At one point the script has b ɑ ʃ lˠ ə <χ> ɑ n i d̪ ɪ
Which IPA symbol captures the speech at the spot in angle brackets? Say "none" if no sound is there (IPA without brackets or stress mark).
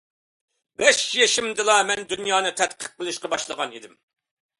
ʁ